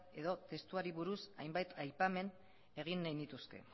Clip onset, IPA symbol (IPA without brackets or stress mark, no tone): e̞